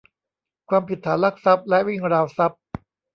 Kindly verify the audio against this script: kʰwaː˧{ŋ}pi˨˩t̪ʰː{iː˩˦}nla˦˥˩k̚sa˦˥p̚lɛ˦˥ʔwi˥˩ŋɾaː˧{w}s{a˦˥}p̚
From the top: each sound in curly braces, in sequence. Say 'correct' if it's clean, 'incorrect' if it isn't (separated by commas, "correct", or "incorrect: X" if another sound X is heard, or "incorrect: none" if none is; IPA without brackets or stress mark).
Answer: incorrect: m, incorrect: aː˩˦, correct, correct